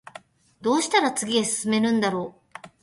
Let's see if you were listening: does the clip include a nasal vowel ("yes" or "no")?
yes